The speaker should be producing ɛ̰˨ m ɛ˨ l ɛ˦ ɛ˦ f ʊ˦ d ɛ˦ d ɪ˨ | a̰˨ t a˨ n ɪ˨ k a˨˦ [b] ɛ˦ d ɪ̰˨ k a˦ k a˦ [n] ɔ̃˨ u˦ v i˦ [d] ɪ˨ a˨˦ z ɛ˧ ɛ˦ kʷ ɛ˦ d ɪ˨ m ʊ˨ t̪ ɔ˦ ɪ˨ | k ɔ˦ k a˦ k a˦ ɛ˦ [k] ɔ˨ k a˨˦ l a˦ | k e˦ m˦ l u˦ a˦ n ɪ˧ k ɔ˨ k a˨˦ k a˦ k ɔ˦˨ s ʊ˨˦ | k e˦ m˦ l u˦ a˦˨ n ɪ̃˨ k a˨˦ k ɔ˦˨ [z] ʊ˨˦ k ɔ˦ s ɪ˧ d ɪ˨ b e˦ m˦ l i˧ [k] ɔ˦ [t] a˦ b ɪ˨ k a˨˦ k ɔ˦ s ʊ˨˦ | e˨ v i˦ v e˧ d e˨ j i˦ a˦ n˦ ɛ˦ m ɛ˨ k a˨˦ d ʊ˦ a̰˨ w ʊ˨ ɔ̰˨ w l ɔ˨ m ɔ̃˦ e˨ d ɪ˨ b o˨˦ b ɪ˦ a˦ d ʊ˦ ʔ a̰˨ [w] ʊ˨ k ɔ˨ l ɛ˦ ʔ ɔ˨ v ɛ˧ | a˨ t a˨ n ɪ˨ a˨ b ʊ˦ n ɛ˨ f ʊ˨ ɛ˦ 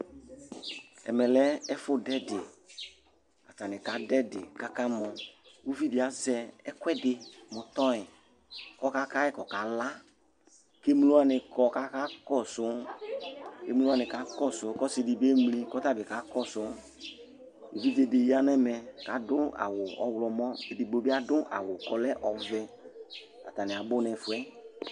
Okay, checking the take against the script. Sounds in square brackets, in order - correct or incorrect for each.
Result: incorrect: d, incorrect: m, correct, correct, incorrect: s, correct, correct, correct

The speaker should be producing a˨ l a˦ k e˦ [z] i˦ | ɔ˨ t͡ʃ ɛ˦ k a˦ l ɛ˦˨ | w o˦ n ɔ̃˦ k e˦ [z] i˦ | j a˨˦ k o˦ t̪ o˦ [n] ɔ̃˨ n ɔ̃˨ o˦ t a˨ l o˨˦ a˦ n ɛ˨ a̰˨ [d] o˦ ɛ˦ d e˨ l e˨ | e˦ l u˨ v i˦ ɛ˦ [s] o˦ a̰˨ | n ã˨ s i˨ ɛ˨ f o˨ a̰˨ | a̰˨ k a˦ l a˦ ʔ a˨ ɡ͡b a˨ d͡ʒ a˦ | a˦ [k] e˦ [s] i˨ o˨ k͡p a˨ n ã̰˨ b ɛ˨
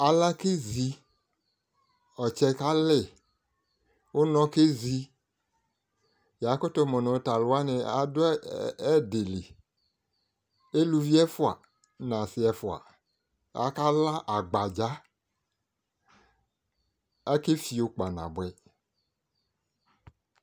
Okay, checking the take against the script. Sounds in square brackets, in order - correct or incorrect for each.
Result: correct, correct, incorrect: m, correct, incorrect: f, correct, incorrect: f

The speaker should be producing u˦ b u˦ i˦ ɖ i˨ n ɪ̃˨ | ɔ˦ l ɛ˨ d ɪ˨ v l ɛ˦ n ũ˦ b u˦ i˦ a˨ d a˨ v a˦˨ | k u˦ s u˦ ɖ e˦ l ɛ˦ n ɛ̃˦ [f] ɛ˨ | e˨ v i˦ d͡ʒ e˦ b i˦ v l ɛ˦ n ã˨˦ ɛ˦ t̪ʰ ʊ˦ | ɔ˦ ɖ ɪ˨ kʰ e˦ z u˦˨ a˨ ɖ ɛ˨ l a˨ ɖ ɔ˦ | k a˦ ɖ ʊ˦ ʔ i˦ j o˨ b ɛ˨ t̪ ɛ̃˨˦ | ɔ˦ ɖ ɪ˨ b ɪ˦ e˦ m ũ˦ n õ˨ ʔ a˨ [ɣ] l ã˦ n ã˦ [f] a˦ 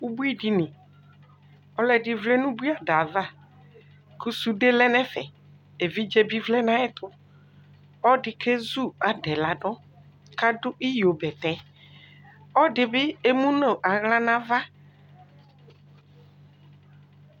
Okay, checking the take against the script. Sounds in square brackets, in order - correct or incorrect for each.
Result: correct, correct, incorrect: v

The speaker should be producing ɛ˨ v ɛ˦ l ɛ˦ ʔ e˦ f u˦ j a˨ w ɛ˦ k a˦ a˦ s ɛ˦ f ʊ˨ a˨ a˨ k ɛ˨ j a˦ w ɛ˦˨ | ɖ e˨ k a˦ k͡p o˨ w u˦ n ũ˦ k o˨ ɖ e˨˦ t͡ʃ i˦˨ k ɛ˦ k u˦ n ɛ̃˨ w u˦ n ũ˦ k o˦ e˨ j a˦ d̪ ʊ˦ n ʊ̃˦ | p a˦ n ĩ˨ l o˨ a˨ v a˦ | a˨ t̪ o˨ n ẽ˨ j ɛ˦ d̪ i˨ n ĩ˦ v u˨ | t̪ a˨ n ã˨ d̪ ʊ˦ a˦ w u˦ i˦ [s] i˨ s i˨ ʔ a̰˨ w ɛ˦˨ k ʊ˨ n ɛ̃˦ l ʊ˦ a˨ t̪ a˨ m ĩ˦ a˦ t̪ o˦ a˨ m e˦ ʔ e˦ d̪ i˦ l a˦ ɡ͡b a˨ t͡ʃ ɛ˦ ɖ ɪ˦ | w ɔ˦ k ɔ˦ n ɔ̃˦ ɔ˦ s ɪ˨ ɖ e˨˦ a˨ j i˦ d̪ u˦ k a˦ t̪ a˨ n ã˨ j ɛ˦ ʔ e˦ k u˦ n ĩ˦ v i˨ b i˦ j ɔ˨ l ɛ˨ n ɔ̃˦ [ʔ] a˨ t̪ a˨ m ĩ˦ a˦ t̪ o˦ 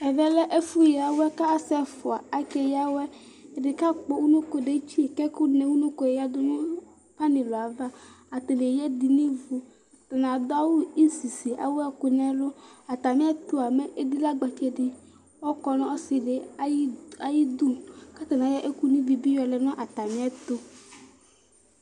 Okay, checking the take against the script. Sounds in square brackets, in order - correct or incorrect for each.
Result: correct, correct

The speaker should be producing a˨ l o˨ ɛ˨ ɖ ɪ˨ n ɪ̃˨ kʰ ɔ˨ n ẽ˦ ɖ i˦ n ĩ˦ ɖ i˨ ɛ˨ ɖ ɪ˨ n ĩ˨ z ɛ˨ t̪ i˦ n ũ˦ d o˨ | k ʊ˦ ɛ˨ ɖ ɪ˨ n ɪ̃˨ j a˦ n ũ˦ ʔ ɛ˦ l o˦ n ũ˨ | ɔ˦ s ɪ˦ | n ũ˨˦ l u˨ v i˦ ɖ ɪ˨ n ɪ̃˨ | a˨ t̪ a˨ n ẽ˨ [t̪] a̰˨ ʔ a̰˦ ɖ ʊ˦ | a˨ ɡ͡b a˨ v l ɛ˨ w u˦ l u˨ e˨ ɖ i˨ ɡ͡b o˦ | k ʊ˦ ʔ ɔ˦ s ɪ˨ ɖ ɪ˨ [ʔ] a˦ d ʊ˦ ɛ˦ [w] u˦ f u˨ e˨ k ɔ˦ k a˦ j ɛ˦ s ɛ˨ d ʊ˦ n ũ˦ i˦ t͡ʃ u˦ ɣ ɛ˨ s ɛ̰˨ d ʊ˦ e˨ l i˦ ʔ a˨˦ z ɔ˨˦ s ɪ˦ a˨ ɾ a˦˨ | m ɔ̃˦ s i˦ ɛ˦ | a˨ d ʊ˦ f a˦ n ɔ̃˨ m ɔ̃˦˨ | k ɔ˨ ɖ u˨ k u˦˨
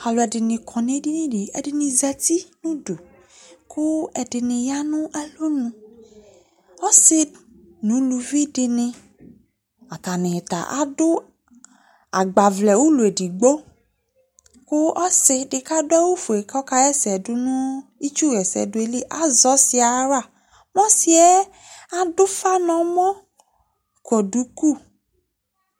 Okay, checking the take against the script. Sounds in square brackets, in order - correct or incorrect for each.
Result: correct, incorrect: k, correct

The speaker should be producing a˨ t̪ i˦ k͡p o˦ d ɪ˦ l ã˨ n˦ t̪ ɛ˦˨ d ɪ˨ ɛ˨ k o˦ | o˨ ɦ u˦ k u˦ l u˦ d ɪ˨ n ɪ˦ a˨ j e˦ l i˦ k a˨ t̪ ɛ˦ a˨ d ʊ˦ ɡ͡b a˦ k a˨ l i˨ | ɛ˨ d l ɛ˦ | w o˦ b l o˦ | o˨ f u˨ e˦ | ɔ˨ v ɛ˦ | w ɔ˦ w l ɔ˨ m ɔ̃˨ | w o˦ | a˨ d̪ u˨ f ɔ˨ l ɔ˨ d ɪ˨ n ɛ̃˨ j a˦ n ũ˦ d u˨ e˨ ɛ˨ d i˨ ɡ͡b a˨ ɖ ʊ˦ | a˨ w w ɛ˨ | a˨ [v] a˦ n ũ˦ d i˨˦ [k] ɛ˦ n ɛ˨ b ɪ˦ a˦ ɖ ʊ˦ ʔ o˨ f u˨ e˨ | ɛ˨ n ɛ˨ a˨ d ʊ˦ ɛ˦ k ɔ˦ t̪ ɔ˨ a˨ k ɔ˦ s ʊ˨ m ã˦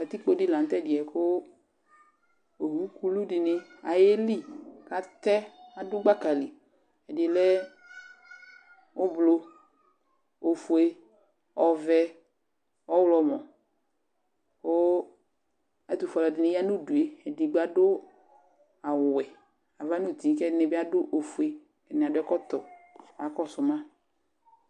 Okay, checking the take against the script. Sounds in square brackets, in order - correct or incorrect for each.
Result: correct, correct

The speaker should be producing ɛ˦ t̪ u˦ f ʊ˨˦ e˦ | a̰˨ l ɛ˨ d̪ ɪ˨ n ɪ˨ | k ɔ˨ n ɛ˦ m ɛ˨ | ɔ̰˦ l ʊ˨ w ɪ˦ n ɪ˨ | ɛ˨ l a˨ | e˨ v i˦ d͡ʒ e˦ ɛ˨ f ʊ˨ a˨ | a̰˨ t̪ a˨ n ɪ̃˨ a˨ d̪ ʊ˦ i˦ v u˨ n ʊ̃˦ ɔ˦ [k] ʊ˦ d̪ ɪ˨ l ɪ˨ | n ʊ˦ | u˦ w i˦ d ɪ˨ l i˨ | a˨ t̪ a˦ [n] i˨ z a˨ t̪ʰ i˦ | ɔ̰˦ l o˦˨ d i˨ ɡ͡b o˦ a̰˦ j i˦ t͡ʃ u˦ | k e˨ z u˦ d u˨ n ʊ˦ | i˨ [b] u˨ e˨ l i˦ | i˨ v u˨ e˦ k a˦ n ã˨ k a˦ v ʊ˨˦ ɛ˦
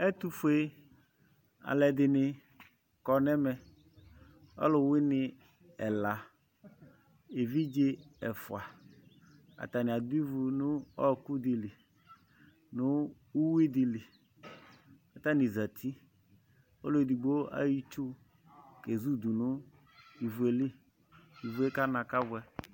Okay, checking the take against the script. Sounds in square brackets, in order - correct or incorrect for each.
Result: correct, correct, incorrect: v

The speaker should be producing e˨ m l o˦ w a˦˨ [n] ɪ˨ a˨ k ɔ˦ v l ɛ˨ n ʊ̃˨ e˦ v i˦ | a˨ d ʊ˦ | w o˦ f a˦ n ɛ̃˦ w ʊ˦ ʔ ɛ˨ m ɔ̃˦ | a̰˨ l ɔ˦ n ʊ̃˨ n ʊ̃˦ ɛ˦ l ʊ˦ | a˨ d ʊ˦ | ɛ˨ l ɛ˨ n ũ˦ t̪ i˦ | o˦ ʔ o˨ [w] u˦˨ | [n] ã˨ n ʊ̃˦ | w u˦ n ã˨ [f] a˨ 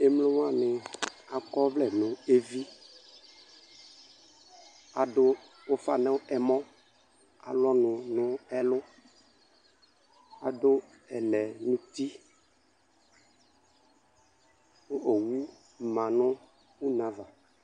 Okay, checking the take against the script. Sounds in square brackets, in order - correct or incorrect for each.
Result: correct, correct, incorrect: m, incorrect: v

